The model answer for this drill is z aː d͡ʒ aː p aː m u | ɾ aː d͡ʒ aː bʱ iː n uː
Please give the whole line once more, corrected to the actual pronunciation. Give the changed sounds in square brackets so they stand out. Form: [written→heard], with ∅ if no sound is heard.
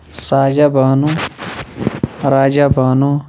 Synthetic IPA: [z→s] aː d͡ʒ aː [p→b] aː [m→n] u | ɾ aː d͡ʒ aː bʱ [iː→aː] n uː